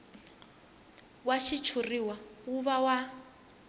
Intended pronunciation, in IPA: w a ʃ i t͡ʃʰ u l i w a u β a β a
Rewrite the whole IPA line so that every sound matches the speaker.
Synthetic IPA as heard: w a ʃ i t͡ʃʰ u r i w a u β a w a

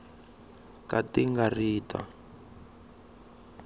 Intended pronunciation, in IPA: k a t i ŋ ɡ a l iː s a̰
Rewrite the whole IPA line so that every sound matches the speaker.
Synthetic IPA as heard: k a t i ŋ ɡ a r iː t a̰

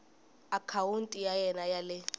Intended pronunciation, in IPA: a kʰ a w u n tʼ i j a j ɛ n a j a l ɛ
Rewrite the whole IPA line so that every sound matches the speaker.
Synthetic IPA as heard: a kʰ a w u n tʼ i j a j ɛ n a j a l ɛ

